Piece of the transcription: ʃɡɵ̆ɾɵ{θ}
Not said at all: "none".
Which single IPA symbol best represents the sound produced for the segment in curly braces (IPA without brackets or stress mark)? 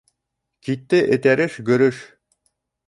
ʃ